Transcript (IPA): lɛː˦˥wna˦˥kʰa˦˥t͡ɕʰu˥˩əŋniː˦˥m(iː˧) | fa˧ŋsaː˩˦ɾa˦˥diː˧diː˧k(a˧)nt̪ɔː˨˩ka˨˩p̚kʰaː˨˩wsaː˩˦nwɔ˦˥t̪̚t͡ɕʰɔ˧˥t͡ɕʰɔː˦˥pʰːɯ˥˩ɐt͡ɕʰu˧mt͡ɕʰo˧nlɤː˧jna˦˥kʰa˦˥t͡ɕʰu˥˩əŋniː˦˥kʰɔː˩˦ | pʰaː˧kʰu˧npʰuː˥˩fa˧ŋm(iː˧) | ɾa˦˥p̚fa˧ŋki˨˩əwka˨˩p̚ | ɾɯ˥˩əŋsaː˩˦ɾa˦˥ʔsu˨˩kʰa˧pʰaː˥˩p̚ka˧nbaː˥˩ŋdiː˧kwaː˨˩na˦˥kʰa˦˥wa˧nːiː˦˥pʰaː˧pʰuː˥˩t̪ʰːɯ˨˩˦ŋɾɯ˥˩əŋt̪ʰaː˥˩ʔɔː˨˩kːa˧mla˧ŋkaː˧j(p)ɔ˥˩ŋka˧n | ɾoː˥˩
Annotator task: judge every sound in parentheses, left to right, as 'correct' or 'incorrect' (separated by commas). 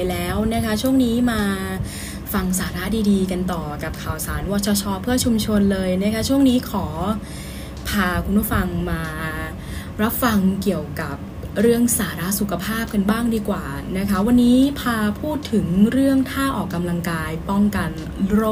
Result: incorrect, correct, incorrect, correct